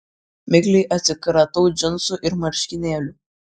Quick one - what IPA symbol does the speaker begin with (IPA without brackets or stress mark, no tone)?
mʲ